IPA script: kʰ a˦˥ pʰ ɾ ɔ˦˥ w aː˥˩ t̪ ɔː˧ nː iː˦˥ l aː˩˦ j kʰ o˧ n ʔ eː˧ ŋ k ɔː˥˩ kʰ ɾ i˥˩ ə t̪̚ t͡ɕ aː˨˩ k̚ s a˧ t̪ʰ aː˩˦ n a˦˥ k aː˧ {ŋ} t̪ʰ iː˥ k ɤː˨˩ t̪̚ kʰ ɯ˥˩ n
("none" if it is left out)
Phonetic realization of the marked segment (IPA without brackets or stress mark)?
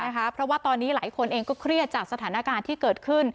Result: n